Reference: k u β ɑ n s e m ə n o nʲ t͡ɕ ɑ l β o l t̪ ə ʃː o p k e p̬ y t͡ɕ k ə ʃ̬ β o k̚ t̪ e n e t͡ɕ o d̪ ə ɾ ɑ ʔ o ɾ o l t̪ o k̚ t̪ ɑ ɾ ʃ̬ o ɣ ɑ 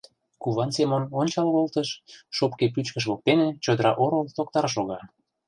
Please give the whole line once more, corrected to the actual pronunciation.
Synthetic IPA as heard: k u β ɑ n s e m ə n o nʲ t͡ɕ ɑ l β o l t̪ ə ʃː o p k e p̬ y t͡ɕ k ə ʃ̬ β o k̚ t̪ e n e t͡ɕ o d̪ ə ɾ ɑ ʔ o ɾ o l t̪ o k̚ t̪ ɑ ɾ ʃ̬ o ɣ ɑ